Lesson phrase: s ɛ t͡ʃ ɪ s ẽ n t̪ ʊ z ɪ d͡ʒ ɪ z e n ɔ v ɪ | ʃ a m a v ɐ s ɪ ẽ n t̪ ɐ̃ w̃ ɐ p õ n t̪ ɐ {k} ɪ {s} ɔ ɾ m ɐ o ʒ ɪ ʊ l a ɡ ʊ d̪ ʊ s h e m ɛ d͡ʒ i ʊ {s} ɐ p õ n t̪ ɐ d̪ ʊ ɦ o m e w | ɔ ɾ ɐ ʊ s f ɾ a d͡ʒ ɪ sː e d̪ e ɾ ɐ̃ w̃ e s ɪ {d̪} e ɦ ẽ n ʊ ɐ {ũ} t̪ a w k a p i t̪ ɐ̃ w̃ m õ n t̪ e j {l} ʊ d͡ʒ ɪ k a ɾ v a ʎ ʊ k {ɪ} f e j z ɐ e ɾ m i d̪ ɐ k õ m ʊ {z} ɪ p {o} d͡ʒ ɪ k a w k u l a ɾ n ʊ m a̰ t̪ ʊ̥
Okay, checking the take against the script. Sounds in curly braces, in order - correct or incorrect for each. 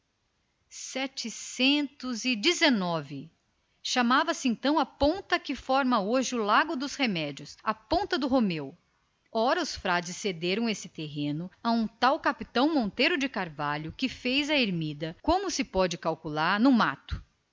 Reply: correct, incorrect: f, correct, incorrect: t̪, correct, incorrect: ɾ, correct, incorrect: s, incorrect: ɔ

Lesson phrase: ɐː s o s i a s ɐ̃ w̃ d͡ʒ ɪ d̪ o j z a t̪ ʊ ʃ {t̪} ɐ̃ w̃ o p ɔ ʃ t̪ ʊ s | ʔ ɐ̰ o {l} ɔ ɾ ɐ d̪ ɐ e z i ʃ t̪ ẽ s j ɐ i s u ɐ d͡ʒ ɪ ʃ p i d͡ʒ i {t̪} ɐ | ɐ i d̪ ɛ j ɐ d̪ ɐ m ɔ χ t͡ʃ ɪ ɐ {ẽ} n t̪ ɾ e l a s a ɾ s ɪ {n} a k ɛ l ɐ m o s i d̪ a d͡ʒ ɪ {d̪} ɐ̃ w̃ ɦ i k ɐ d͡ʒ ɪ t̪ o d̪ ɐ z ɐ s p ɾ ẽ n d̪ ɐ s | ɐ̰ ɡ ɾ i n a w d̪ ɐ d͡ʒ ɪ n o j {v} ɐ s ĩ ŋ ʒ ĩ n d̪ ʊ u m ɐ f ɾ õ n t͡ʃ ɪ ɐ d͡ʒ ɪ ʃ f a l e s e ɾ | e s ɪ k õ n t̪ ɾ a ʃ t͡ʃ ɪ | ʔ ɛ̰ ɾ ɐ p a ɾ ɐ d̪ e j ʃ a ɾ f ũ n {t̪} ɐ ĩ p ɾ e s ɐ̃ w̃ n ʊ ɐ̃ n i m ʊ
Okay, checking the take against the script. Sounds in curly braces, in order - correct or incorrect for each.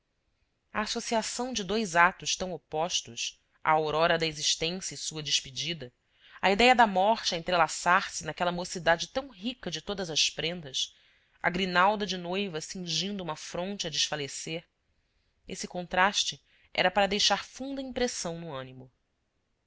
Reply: correct, incorrect: ɾ, incorrect: d̪, correct, correct, incorrect: t̪, correct, incorrect: d̪

